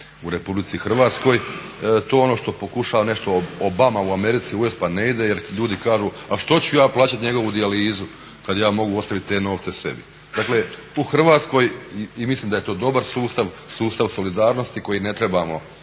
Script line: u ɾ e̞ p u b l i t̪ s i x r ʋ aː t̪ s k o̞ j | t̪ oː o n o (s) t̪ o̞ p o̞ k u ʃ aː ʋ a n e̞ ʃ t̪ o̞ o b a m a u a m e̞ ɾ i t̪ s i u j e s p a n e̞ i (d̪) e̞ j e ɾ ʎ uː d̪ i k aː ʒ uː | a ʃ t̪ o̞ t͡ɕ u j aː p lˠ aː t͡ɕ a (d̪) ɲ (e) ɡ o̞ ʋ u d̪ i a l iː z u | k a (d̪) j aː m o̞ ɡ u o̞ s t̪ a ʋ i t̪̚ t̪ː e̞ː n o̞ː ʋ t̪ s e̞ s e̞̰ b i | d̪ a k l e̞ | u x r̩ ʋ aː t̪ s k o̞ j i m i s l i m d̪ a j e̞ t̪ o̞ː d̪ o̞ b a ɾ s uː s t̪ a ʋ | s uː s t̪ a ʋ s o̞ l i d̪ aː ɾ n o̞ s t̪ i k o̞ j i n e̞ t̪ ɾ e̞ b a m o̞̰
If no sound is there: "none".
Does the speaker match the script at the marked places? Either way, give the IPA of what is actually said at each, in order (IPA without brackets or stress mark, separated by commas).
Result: ʃ, d̪, t̪, e, d̪